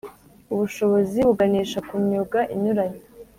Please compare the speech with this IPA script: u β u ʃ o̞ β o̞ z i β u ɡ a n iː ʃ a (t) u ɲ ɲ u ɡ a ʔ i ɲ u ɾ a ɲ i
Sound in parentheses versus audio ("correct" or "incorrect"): incorrect